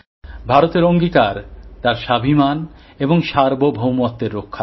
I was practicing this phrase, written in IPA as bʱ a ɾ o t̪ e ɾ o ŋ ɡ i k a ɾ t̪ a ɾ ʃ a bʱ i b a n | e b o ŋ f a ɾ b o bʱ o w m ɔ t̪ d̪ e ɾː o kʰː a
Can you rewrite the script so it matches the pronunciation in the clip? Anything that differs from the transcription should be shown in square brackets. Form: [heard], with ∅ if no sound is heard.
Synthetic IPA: bʱ a ɾ o t̪ e ɾ o ŋ ɡ i k a ɾ t̪ a ɾ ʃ a bʱ i [m] a n | e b o ŋ [ʃ] a ɾ b o bʱ o w m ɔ t̪ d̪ e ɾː o kʰː a

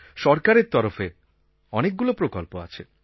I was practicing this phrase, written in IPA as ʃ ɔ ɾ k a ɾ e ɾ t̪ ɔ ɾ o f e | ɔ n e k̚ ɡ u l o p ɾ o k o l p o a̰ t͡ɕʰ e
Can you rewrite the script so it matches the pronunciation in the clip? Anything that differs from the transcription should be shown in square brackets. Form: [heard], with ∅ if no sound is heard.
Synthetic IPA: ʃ ɔ ɾ k a ɾ e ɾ t̪ ɔ ɾ o f e | ɔ n e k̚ ɡ u l o p ɾ o k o l p o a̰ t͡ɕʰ e

